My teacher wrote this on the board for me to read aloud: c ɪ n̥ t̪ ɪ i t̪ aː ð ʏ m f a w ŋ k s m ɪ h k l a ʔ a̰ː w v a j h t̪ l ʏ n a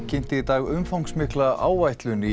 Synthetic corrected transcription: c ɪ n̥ t̪ ɪ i t̪ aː ɣ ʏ m f a w ŋ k s m ɪ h k l a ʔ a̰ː w v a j h t̪ l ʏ n i